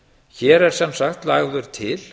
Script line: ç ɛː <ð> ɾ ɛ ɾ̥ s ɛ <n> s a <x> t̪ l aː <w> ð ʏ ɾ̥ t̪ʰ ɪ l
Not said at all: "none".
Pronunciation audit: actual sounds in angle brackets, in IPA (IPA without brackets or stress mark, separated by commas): none, m, x, ɣ